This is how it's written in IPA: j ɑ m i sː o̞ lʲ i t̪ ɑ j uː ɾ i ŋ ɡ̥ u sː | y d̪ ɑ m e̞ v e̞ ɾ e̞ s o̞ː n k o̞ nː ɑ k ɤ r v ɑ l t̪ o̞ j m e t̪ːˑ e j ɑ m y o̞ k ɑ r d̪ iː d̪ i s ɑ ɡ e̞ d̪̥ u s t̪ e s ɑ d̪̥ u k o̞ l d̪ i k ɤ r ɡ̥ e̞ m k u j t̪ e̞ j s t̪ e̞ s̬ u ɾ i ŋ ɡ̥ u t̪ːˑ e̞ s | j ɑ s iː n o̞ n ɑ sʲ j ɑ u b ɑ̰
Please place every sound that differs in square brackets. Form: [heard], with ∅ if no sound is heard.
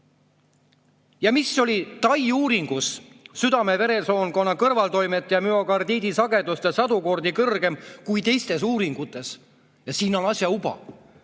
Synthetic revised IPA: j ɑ m i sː o̞ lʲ i t̪ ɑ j uː ɾ i ŋ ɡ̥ u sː | y d̪ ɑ m e̞ v e̞ ɾ e̞ s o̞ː n k o̞ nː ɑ k ɤ r v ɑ l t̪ o̞ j m e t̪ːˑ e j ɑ m y o̞ k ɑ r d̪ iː d̪ i s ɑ ɡ e̞ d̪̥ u s t̪ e s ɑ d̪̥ u k o̞ [r] d̪ i k ɤ r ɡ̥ e̞ m k u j t̪ e̞ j s t̪ e̞ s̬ [uː] ɾ i ŋ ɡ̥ u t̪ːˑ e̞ s | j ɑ s iː n o̞ n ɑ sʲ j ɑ u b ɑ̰

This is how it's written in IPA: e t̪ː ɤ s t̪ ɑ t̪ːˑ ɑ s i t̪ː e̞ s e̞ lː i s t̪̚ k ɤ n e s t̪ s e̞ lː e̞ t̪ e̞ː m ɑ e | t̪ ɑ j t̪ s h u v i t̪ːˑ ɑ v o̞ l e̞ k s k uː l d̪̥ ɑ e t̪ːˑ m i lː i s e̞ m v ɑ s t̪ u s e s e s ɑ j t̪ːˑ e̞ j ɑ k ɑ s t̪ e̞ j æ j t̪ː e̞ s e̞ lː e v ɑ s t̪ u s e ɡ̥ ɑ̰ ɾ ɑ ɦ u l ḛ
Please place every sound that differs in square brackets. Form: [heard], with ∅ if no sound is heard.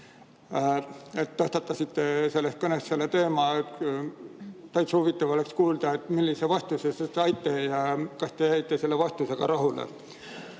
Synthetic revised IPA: e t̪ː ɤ s t̪ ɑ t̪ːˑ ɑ s i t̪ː e̞ s e̞ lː [e] s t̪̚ k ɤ n e s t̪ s e̞ lː e̞ t̪ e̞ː m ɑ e | t̪ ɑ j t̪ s h u v i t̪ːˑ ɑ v o̞ l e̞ k s k uː l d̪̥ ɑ e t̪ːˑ m i lː i s e̞ [∅] v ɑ s t̪ u s e s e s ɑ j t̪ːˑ e̞ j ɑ k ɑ s t̪ e̞ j æ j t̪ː e̞ s e̞ lː e v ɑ s t̪ u s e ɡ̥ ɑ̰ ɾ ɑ ɦ u l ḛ

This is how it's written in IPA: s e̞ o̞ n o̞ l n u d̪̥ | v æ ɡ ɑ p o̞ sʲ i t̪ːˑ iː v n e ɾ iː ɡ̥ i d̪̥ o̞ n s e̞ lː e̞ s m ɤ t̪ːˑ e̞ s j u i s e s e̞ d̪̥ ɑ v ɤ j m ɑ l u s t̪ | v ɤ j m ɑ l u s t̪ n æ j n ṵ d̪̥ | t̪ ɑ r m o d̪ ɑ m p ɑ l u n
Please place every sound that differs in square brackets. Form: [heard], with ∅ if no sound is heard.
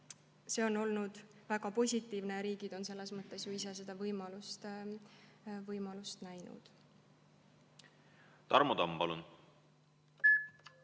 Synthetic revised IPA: s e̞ o̞ n o̞ l n u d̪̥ | v æ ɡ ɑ p o̞ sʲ i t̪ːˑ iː v n e ɾ iː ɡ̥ i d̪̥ o̞ n s e̞ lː e̞ s m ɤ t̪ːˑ e̞ s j u i s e s e̞ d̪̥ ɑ v ɤ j m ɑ l u s t̪ | v ɤ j m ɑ l u s t̪ n æ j n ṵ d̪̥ | t̪ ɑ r m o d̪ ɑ m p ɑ l u n

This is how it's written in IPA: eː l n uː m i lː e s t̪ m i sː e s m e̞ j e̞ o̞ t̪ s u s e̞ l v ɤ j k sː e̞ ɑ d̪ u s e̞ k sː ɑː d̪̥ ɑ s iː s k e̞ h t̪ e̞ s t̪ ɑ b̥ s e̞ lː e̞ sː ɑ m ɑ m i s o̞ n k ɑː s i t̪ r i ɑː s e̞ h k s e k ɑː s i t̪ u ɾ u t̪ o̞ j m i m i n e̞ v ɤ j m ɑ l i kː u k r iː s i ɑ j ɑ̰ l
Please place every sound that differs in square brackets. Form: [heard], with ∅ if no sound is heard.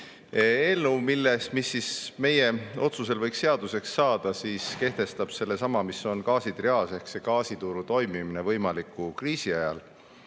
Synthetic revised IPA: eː l n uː m i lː e s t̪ m i sː [i] s m e̞ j e̞ o̞ t̪ s u s e̞ l v ɤ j k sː e̞ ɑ d̪ u s e̞ k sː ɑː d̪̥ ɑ s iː s k e̞ h t̪ e̞ s t̪ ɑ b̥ s e̞ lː e̞ [s] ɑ m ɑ m i s o̞ n k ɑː s i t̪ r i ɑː s e̞ h k s e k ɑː s i t̪ u ɾ u t̪ o̞ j m i m i n e̞ v ɤ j m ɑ l i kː u k r iː s i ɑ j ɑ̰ l

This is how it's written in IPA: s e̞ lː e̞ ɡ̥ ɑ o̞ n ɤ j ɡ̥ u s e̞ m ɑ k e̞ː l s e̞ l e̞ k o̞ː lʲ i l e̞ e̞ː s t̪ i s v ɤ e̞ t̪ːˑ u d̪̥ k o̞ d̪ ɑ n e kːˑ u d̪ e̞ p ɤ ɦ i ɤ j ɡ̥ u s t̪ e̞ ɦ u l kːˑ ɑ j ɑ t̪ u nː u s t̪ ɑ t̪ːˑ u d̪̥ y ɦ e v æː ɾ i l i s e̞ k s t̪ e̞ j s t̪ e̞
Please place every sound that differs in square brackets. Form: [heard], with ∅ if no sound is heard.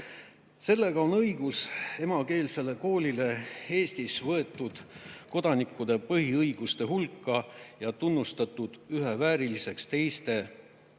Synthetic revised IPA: s e̞ lː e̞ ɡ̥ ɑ o̞ n ɤ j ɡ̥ u s e̞ m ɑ k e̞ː l s e̞ l e̞ k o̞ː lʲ i l e̞ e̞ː s t̪ i s v ɤ e̞ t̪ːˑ u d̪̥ k o̞ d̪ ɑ n [i] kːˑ u d̪ e̞ p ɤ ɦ i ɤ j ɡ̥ u s t̪ e̞ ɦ u l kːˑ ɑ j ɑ t̪ u nː u s t̪ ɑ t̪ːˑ u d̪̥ y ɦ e v æː ɾ i l i s e̞ k s t̪ e̞ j s t̪ e̞

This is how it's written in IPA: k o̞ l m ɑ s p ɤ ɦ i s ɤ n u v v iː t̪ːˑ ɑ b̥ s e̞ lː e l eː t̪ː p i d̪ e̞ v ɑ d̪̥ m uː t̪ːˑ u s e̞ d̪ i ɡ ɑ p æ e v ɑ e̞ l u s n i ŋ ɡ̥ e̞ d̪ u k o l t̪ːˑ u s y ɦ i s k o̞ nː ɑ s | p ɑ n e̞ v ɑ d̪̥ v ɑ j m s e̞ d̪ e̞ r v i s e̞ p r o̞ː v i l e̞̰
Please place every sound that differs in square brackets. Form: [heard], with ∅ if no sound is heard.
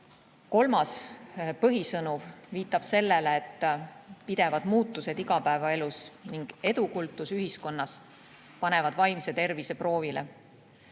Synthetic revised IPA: k o̞ l m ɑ s p ɤ ɦ i s ɤ n u v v iː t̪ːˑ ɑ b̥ s e̞ lː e l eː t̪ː p i d̪ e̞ v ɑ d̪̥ m uː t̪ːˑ u s e̞ d̪ i ɡ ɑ p æ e v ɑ e̞ l u s n i ŋ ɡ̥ e̞ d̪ u k [u] l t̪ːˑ u s y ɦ i s k o̞ nː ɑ s | p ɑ n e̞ v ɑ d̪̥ v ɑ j m s e̞ [t̪] e̞ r v i s e̞ p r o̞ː v i l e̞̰

